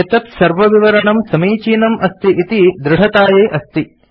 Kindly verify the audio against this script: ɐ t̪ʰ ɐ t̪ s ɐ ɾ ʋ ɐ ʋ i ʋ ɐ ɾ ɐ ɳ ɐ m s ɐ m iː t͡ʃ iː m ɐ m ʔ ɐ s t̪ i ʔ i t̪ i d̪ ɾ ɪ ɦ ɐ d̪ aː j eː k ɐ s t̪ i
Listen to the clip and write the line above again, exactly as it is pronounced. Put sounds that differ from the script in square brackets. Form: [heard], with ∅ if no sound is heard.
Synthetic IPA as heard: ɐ [t̪] ɐ t̪ s ɐ ɾ ʋ ɐ ʋ i ʋ ɐ ɾ ɐ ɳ ɐ m s ɐ m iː t͡ʃ iː [n] ɐ m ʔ ɐ s t̪ i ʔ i t̪ i d̪ ɾ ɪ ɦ ɐ [t̪] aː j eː [ʔ] ɐ s t̪ i